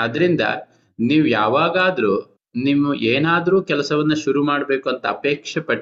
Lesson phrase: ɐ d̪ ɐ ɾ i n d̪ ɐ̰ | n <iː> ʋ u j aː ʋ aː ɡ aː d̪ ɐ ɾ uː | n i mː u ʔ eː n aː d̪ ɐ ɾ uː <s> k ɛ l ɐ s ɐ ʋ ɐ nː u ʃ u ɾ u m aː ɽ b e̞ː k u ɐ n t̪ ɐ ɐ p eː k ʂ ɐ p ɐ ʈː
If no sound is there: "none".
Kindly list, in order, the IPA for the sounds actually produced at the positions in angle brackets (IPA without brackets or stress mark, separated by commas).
iː, none